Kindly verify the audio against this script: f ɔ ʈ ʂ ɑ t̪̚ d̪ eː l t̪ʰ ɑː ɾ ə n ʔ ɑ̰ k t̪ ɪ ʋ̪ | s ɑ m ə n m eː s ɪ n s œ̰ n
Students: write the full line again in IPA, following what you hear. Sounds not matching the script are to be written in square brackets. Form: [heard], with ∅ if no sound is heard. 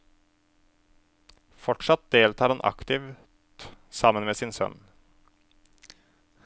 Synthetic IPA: f ɔ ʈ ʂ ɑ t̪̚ d̪ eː l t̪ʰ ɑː ɾ [ɑ] n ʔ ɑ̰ k t̪ ɪ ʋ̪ | s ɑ m ə n m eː s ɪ n s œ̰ n